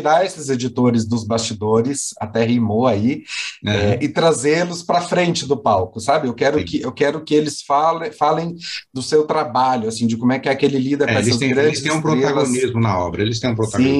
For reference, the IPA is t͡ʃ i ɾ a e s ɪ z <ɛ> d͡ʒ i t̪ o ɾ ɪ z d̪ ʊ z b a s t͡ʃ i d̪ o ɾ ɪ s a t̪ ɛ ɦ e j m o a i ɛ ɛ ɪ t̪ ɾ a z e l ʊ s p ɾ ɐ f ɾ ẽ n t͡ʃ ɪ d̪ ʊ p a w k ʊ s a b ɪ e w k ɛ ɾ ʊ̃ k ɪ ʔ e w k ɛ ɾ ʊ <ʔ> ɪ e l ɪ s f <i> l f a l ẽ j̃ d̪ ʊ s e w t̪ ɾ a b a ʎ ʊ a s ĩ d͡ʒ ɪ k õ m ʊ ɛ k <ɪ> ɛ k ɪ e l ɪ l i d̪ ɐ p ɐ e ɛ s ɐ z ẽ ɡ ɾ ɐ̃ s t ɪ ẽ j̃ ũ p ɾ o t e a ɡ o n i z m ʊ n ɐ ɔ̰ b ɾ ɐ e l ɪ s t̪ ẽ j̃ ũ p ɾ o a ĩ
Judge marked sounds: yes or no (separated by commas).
no, no, no, yes